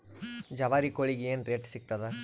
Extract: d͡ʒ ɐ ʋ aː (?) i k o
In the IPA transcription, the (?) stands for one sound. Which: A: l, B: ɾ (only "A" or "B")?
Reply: B